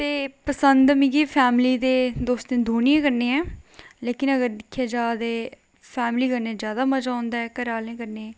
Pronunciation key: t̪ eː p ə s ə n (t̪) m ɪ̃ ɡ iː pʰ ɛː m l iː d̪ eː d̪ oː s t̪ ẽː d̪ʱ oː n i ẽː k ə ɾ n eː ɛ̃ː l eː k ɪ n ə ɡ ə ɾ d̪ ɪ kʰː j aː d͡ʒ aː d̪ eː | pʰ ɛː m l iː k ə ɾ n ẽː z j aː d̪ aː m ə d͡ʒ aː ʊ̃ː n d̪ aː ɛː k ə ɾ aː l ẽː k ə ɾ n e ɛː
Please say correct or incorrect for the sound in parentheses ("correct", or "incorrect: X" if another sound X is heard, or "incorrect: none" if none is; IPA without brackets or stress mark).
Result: incorrect: d̪